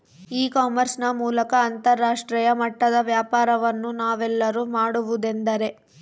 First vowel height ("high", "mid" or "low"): high